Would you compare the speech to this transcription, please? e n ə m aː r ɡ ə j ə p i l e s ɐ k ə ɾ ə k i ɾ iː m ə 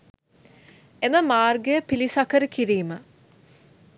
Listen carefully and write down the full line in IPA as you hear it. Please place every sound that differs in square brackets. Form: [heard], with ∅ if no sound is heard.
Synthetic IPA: e n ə m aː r ɡ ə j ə p i l [i] s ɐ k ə ɾ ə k i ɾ iː m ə